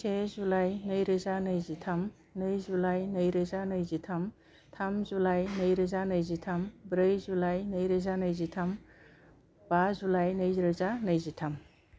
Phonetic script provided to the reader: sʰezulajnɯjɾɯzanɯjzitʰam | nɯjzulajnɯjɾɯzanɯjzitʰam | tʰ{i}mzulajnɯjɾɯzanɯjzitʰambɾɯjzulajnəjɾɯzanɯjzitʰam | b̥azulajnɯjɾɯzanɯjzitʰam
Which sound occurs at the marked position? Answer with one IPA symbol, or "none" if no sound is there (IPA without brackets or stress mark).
a